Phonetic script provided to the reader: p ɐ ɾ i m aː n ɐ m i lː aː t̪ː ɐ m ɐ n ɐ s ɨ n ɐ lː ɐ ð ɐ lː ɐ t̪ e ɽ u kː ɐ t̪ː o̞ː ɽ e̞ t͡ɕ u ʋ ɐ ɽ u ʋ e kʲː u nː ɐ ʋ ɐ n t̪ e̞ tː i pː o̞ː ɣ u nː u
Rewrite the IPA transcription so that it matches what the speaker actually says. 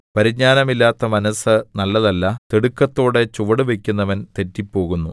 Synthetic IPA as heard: p ɐ ɾ i ɲ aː n ɐ m i lː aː t̪ː ɐ m ɐ n ɐ s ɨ n ɐ lː ɐ ð ɐ lː ɐ t̪ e ɽ u kː ɐ t̪ː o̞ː ɽ e̞ t͡ɕ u ʋ ɐ ɽ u ʋ e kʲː u nː ɐ ʋ ɐ n t̪ e̞ tː i pː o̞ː ɣ u nː u